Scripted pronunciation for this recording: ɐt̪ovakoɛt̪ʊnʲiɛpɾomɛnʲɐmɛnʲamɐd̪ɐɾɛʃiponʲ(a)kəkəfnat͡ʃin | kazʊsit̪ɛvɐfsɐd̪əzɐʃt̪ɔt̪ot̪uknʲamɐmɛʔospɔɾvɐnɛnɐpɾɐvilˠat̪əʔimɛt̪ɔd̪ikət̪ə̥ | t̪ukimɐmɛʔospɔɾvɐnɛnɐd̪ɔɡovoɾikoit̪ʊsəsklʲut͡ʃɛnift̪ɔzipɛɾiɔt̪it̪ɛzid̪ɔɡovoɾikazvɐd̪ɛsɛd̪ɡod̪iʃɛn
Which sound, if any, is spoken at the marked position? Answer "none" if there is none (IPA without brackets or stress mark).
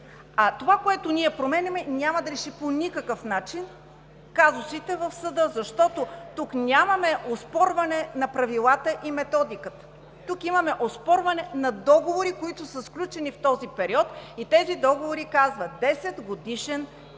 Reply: i